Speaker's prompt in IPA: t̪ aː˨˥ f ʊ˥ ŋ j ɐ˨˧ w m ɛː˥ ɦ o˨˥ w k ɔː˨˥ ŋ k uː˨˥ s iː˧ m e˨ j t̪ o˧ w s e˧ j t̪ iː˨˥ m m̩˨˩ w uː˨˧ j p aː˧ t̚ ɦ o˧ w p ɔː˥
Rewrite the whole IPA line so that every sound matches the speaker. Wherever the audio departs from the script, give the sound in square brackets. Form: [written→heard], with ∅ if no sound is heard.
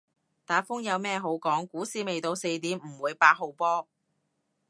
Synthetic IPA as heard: t̪ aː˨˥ f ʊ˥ ŋ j ɐ˨˧ w m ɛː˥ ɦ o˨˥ w k ɔː˨˥ ŋ k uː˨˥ s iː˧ m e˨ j t̪ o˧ w s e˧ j t̪ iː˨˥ m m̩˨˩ w uː˨˧ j p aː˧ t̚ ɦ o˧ w p ɔː˥